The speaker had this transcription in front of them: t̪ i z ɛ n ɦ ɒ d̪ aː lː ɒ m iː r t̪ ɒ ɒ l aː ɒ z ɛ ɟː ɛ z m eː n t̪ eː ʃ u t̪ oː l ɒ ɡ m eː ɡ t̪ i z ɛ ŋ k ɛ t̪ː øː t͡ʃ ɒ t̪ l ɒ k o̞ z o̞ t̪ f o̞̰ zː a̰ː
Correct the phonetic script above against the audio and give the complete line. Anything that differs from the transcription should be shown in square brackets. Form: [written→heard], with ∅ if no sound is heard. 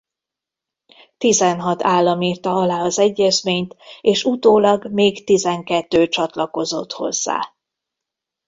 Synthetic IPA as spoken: t̪ i z ɛ n ɦ ɒ [d̪→t̪] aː lː ɒ m iː r t̪ ɒ ɒ l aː ɒ z ɛ ɟː ɛ z m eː [n→ɲ] t̪ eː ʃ u t̪ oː l ɒ ɡ m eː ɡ t̪ i z ɛ ŋ k ɛ t̪ː øː t͡ʃ ɒ t̪ l ɒ k o̞ z o̞ t̪ [f→h] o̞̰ zː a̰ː